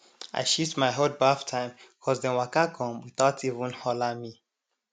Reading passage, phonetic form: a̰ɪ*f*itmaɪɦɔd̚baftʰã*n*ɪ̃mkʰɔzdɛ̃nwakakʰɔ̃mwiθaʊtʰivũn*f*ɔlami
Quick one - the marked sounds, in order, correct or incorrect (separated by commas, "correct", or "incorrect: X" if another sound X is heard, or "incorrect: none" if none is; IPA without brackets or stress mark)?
incorrect: ʃ, incorrect: none, incorrect: h